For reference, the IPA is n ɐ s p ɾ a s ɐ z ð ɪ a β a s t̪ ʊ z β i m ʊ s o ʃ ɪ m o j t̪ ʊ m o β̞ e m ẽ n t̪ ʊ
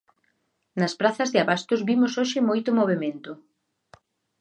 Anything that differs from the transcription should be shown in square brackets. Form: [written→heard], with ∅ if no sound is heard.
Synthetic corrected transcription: n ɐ s p ɾ a [s→θ] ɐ z ð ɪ a β a s t̪ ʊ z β i m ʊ s o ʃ ɪ m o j t̪ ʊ m o β̞ e m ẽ n t̪ ʊ